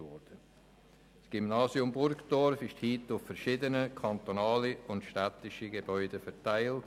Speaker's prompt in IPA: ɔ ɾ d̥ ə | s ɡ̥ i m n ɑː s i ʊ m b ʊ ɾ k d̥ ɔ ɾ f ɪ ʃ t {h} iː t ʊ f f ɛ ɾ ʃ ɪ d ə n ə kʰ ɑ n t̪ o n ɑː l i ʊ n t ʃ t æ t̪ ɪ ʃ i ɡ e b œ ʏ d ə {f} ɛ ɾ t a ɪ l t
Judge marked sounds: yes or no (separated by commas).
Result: yes, yes